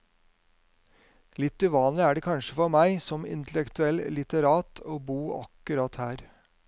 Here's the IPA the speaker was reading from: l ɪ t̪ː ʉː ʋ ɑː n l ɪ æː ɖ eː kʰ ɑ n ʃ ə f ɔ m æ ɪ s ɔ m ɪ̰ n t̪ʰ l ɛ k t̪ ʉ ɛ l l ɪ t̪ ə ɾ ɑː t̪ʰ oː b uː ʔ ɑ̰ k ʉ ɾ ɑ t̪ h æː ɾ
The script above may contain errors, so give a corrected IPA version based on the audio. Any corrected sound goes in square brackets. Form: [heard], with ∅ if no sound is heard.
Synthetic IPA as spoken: l ɪ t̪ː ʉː ʋ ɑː n l ɪ æː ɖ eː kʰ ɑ n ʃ ə f ɔ m æ ɪ s ɔ m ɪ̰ n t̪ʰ l ɛ k t̪ ʉ ɛ l l ɪ t̪ ə ɾ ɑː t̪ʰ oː b uː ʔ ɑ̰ k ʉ ɾ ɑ t̪ h æː ɾ